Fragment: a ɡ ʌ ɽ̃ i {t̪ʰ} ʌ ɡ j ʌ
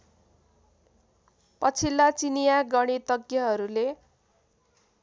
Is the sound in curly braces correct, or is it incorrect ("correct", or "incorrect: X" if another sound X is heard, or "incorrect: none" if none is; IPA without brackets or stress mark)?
incorrect: t̪